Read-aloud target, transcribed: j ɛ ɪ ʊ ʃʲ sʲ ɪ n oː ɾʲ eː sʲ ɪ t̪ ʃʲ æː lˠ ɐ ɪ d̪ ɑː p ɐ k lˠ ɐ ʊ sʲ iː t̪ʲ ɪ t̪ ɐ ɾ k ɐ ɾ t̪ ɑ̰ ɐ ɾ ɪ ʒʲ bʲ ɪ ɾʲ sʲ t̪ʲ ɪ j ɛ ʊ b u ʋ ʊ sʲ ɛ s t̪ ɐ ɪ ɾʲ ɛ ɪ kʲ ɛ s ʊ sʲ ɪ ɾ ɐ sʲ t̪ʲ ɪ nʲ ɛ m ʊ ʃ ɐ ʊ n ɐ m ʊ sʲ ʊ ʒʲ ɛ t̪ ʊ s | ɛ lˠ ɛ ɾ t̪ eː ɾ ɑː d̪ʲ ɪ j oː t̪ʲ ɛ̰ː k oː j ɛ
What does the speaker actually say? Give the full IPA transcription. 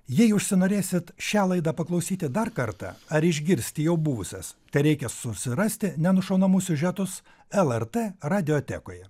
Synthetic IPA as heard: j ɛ ɪ ʊ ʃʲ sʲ ɪ n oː ɾʲ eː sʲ ɪ t̪ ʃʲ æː lˠ ɐ ɪ d̪ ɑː p ɐ k lˠ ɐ ʊ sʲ iː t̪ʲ ɪ d̪ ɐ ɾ k ɐ ɾ t̪ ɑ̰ ɐ ɾ ɪ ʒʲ ɡʲ ɪ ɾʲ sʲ t̪ʲ ɪ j ɛ ʊ b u ʋ ʊ sʲ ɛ s t̪ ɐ ɪ ɾʲ ɛ ɪ kʲ ɛ s ʊ sʲ ɪ ɾ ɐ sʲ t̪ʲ ɪ nʲ ɛ n ʊ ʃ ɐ ʊ n ɐ m ʊ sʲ ʊ ʒʲ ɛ t̪ ʊ s | ɛ lˠ ɛ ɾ t̪ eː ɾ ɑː d̪ʲ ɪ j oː t̪ʲ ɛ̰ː k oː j ɛ